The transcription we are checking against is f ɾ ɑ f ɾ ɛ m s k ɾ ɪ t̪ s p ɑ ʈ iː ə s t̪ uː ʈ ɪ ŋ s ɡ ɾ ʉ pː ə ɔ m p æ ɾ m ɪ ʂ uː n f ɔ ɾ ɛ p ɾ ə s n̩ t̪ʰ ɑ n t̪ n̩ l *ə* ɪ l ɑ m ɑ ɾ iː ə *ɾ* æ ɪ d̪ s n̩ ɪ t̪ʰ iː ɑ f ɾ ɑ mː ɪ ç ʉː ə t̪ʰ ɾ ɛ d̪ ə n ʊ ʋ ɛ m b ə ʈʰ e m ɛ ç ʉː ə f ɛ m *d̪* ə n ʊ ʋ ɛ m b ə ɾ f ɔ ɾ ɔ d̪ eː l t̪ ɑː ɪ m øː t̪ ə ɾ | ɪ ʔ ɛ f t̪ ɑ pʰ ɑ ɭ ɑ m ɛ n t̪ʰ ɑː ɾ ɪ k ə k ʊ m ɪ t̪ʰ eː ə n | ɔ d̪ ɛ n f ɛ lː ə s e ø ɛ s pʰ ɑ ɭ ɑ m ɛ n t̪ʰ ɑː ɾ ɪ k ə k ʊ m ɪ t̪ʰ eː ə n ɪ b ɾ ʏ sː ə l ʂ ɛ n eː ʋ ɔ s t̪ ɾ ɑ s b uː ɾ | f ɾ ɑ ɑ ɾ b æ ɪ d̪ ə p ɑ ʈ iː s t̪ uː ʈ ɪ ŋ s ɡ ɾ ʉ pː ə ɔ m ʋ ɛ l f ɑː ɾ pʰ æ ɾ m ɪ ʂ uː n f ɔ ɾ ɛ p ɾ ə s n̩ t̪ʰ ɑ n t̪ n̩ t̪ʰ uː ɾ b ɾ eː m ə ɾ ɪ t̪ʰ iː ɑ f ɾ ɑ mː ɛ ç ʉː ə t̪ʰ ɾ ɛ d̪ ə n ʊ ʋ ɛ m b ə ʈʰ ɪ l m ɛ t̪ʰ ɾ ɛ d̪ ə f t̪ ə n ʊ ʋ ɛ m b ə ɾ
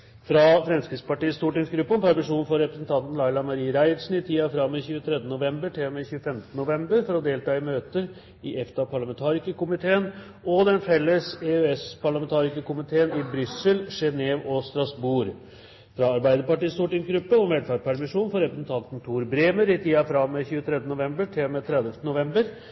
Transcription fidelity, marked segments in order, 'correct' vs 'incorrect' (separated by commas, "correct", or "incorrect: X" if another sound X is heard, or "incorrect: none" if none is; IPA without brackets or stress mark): incorrect: ɑ, correct, incorrect: t̪